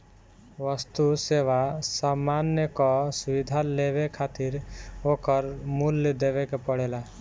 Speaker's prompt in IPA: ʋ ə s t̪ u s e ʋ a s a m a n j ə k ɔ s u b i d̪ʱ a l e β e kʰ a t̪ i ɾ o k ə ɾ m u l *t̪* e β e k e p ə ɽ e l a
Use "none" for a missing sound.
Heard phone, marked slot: d̪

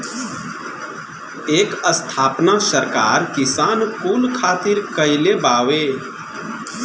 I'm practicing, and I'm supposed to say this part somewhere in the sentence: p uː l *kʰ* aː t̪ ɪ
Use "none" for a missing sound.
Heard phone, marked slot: kʰ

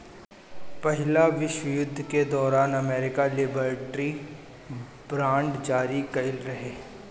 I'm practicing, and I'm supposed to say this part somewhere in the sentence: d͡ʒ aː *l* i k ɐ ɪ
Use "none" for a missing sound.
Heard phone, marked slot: ɾ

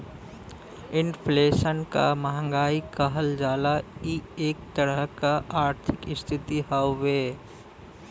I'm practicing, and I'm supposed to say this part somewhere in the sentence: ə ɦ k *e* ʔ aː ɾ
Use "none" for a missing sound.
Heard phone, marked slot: a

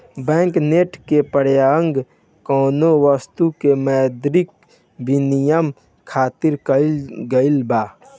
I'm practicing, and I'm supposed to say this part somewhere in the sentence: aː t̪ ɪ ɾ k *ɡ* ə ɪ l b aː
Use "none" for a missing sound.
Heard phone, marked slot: ɡ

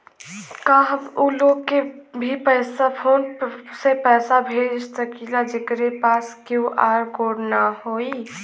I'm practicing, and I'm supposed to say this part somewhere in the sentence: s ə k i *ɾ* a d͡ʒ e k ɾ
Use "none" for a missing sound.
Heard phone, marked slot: l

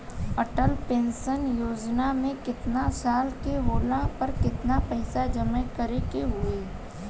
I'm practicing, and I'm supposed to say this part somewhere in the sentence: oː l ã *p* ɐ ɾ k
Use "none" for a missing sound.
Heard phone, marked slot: p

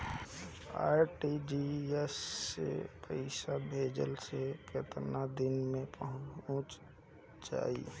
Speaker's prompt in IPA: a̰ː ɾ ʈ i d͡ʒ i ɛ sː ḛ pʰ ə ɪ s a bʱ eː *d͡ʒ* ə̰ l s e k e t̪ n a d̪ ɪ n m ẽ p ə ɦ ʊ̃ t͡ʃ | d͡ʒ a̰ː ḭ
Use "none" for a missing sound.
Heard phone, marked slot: d͡ʒ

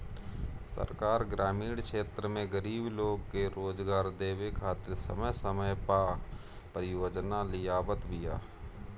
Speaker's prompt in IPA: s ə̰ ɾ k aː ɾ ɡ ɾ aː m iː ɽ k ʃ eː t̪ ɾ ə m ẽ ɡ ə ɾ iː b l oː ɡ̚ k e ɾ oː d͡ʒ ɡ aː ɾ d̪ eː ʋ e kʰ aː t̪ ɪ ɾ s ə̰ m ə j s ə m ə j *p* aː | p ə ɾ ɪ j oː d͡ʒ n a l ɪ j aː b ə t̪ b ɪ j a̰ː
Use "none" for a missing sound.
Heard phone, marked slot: p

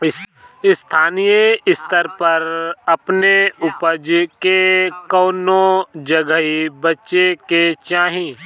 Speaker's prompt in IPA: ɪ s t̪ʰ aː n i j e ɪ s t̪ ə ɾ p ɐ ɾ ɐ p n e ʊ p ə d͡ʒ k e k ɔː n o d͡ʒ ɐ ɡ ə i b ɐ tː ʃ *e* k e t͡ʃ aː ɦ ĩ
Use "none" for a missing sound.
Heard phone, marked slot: e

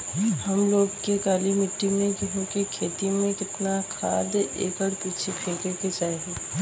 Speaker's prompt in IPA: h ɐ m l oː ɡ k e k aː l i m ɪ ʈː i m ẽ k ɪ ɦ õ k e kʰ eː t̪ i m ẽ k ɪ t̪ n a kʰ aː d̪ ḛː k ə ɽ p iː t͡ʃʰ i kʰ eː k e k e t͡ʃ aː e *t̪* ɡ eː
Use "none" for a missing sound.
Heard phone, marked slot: none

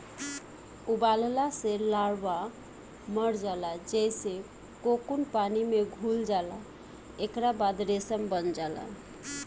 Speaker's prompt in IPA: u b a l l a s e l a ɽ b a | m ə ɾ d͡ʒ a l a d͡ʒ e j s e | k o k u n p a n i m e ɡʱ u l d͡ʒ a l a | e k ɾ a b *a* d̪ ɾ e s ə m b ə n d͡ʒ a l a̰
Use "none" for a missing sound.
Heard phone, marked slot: a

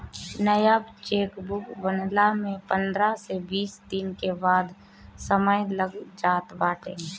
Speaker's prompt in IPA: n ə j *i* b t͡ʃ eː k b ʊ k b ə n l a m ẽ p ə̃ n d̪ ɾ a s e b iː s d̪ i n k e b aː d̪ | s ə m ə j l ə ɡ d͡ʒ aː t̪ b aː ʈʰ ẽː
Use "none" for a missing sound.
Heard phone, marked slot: a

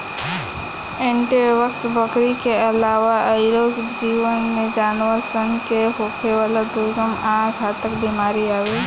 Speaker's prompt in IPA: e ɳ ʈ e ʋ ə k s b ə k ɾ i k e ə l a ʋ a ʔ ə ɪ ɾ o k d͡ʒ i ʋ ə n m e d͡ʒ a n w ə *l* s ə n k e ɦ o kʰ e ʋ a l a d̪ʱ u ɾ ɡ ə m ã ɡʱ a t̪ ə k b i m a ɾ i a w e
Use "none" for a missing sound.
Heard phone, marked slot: ɾ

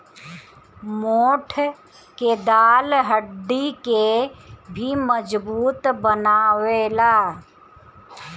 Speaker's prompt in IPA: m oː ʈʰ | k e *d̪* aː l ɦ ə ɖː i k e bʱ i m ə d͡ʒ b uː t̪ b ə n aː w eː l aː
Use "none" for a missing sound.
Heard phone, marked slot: d̪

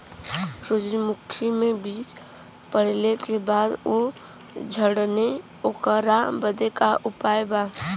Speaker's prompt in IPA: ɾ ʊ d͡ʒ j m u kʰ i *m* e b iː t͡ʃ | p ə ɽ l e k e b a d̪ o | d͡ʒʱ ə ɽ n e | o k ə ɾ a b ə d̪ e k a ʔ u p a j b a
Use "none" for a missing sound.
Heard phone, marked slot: m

